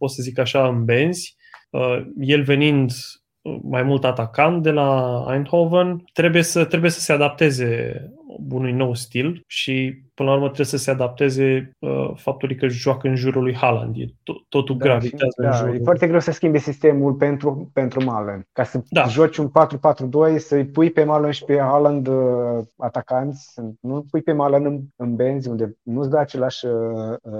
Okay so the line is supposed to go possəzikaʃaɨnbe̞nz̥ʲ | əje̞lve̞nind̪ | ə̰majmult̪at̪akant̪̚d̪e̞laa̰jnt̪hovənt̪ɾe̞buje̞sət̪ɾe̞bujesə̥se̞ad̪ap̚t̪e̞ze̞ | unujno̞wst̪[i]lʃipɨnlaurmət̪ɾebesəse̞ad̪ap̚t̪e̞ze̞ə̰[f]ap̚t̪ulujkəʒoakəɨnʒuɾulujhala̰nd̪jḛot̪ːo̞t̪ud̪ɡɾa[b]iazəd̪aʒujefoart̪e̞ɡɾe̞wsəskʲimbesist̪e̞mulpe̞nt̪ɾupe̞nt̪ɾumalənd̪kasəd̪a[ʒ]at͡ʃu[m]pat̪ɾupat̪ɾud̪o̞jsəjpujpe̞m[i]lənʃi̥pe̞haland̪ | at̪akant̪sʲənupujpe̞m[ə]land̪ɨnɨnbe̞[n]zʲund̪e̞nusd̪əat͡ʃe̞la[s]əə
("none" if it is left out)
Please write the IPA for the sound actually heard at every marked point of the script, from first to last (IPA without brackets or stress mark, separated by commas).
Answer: i, f, v, ʒ, n, a, a, n, ʃ